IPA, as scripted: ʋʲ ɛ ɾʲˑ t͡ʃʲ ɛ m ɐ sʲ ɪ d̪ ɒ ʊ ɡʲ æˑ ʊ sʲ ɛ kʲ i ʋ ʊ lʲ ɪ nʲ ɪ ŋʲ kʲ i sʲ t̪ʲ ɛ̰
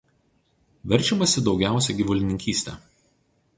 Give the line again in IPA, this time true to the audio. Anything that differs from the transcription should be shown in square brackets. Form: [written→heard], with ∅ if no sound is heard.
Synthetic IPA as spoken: ʋʲ ɛ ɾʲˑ t͡ʃʲ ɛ m ɐ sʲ ɪ d̪ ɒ ʊ ɡʲ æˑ ʊ sʲ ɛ [kʲ→ɡʲ] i ʋ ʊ lʲ ɪ nʲ ɪ ŋʲ kʲ [i→iː] sʲ t̪ʲ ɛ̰